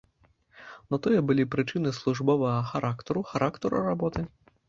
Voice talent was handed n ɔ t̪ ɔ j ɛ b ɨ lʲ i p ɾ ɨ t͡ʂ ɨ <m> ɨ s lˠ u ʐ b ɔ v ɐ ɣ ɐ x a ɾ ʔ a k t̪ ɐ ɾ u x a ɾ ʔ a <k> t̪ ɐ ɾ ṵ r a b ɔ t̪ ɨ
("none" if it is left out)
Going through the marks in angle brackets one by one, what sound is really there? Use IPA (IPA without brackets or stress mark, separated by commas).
n, k